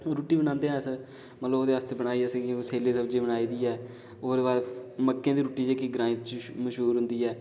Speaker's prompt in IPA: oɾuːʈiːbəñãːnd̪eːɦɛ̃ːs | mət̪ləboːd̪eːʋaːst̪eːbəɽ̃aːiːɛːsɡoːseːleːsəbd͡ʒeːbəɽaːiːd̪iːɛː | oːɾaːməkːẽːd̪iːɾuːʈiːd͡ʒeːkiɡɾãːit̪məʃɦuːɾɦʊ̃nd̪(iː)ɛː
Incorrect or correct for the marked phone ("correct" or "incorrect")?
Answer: correct